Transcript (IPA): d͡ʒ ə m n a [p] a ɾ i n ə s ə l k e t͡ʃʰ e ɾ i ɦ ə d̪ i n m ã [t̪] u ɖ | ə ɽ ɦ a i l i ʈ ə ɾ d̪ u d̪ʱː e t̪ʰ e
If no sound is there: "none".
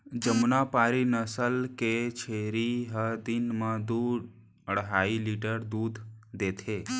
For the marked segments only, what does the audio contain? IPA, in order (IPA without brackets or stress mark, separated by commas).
p, d̪